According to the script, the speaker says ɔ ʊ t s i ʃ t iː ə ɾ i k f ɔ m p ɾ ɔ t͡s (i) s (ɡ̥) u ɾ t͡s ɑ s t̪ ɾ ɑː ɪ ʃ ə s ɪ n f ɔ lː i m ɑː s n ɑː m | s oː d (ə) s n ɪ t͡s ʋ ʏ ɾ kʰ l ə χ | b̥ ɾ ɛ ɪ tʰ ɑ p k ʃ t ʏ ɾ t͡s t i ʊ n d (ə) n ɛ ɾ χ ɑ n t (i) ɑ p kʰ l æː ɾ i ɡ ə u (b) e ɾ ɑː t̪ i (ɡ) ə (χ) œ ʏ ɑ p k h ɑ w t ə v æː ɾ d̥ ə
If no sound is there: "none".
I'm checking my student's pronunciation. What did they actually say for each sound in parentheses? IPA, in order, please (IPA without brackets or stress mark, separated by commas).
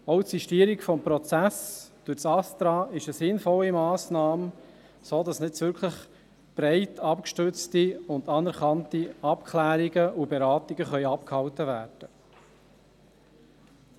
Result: æ, d̥, ɑ, ɑ, i, b, ɡ, χ